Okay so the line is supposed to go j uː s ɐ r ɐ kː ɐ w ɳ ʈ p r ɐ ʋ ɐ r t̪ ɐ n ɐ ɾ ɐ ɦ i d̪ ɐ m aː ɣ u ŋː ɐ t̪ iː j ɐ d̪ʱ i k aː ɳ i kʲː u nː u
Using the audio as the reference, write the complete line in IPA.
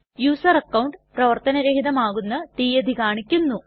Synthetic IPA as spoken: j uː s ɐ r ɐ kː ɐ w ɳ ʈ p r ɐ ʋ ɐ r t̪ ɐ n ɐ ɾ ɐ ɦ i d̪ ɐ m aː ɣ u nː ɐ t̪ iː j ɐ d̪ʱ i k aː ɳ i kʲː u nː u